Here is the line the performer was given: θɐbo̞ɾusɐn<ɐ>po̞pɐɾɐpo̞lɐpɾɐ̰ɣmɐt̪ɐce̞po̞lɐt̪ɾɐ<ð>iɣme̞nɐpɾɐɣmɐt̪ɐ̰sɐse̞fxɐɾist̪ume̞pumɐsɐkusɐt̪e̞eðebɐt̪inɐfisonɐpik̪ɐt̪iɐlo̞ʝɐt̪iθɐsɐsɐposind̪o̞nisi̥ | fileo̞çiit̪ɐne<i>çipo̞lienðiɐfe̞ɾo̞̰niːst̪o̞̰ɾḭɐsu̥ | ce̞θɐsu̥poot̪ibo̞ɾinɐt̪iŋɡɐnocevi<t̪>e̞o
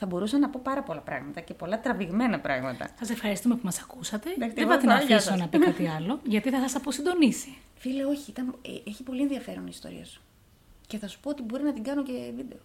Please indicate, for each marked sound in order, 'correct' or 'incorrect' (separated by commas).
correct, incorrect, incorrect, incorrect